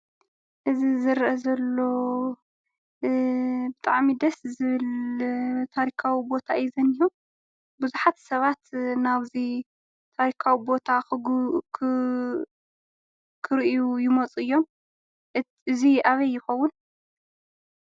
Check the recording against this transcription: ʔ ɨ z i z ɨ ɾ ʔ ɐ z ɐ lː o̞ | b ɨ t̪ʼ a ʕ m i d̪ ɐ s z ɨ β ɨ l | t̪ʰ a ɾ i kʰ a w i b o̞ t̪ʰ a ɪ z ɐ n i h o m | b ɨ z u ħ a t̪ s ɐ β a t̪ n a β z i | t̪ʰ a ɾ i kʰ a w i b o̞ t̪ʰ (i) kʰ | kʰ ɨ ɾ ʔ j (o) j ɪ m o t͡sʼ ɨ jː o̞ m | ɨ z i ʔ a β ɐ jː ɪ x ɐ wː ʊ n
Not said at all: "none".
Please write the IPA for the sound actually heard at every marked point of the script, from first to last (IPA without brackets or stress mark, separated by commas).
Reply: a, u